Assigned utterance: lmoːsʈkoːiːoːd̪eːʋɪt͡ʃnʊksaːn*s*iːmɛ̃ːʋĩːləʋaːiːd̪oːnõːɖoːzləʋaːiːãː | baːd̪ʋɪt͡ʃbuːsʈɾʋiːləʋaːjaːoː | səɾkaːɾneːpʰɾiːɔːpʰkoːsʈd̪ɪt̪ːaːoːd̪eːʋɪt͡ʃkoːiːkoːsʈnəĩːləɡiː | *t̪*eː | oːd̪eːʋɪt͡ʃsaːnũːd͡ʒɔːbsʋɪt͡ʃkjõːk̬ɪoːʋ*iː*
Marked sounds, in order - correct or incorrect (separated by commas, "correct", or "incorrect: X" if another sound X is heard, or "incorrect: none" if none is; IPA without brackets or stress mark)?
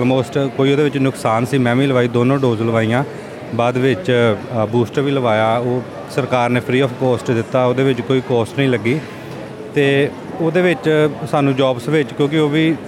correct, correct, correct